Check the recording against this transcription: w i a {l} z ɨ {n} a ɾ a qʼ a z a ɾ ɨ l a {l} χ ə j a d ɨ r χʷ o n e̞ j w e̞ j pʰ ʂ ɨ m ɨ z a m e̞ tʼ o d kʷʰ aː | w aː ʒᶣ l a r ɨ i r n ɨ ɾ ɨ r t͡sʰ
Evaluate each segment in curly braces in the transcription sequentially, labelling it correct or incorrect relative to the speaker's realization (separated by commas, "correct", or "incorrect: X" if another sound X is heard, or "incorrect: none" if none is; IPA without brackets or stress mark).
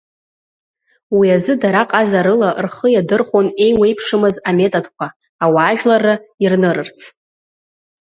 incorrect: none, incorrect: d, incorrect: r